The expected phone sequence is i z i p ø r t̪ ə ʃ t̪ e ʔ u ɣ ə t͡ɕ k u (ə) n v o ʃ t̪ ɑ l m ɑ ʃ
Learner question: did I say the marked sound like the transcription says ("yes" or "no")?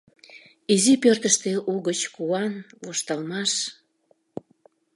no